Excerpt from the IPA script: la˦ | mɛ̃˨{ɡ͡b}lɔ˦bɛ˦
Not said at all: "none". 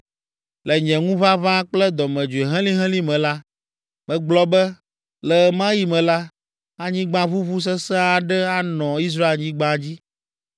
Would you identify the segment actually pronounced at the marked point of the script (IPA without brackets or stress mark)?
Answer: ɡ͡b